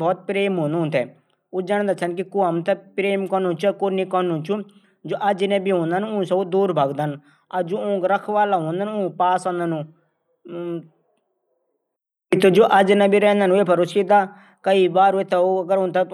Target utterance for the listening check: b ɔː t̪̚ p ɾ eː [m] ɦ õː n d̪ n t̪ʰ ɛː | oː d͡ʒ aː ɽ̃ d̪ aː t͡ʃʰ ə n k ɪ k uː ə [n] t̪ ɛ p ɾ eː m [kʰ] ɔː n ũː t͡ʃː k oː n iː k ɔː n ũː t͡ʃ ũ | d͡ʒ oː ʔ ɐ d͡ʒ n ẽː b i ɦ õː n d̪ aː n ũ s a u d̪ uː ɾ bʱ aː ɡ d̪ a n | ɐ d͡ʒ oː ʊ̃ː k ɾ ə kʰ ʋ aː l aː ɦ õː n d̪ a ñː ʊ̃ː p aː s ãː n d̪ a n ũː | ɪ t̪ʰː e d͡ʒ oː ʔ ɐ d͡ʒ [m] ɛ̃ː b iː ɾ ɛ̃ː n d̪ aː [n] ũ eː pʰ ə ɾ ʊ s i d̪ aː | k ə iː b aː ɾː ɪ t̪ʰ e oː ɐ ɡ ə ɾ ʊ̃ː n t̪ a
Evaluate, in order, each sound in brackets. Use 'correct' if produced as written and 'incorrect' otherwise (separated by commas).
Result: correct, incorrect, incorrect, incorrect, correct